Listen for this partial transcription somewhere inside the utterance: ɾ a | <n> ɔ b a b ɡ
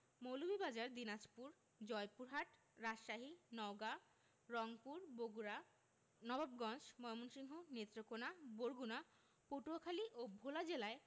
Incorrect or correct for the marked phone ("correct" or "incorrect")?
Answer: correct